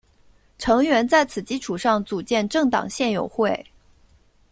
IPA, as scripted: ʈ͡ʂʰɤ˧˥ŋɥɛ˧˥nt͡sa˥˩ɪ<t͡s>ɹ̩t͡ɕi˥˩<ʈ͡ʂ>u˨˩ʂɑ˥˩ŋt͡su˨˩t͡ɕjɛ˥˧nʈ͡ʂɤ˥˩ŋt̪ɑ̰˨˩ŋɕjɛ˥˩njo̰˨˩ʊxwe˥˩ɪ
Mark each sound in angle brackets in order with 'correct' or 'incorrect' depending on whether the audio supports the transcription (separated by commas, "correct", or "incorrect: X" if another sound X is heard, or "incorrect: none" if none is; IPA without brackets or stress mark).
incorrect: t͡sʰ, incorrect: ʈ͡ʂʰ